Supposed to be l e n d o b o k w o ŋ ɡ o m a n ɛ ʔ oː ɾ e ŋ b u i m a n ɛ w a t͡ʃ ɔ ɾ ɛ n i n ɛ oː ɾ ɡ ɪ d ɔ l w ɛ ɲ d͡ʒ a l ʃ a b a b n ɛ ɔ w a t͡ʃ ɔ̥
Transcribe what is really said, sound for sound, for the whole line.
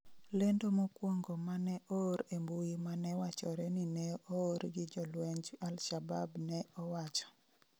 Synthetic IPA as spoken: l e n d o m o k w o ŋ ɡ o m a n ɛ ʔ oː ɾ e m b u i m a n ɛ w a t͡ʃ ɔ ɾ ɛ n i n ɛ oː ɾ ɡ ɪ d͡ʒ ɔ l w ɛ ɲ d͡ʒ a l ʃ a b a b n ɛ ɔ w a t͡ʃ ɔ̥